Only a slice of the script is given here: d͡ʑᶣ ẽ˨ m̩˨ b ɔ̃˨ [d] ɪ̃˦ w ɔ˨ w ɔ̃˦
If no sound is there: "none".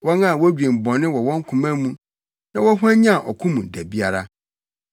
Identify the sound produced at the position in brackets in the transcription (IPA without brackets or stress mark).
n